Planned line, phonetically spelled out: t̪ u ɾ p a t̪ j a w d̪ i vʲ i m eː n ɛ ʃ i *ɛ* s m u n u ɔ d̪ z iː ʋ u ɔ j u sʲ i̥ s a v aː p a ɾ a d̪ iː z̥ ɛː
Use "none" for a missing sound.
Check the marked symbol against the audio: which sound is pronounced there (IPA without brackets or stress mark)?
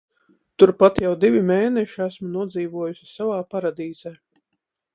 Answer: æ